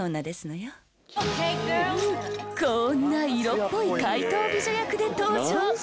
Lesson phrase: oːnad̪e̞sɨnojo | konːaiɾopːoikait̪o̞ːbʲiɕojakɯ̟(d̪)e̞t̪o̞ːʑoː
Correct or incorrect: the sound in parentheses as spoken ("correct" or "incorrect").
correct